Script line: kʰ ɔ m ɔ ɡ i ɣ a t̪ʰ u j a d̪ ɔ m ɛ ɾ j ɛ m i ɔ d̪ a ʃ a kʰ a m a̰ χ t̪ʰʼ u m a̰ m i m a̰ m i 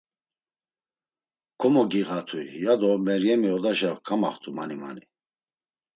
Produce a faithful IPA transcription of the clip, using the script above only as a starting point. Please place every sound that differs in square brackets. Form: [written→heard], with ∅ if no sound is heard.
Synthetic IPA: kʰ ɔ m ɔ ɡ i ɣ a t̪ʰ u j a d̪ ɔ m ɛ ɾ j ɛ m i ɔ d̪ a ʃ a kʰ a m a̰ χ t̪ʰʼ u m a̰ [m→n] i m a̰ [m→n] i